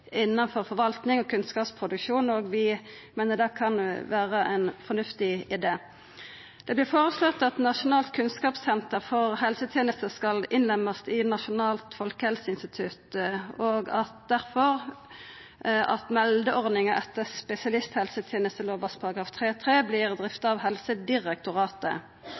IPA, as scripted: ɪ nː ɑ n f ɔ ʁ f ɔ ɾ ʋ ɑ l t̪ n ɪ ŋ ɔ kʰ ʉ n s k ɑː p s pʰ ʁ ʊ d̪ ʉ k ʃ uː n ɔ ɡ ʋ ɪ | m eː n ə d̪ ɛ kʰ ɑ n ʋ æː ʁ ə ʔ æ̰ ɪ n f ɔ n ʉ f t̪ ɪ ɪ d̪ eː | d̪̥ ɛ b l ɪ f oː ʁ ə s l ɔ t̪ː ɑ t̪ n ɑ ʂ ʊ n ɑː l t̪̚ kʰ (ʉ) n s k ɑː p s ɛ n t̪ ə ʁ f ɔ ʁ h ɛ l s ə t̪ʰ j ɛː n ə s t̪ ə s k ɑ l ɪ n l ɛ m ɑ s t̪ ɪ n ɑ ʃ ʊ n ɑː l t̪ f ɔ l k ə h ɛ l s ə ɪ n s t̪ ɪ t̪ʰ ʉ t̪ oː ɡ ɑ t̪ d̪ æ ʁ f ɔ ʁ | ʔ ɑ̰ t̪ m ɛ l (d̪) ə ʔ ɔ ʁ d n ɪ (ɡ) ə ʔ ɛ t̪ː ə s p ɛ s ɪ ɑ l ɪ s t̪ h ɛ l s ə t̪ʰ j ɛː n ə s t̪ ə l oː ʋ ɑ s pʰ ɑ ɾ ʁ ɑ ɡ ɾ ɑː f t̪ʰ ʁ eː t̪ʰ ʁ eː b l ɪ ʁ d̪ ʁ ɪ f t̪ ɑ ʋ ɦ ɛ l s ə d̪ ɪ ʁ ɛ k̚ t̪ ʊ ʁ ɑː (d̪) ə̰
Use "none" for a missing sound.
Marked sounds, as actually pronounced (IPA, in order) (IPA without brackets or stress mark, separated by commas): ʉ, d̪, ŋ, t̪